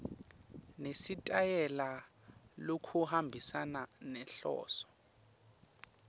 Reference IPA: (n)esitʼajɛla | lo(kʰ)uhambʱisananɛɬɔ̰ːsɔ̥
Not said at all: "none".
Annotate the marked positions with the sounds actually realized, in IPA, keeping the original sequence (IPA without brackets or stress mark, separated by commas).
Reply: n, kʰ